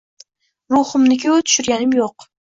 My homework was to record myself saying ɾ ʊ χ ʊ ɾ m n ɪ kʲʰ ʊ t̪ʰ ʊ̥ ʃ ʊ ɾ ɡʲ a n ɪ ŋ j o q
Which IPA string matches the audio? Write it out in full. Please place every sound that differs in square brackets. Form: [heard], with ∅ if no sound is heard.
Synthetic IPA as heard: ɾ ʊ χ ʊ [∅] m n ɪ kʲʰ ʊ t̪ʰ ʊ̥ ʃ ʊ ɾ ɡʲ a n ɪ [m] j o q